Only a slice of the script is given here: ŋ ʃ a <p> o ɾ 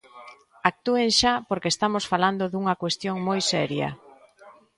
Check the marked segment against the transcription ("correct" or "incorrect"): correct